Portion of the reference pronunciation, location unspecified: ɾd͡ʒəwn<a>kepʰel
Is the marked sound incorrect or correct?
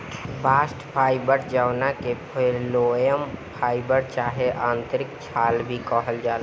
correct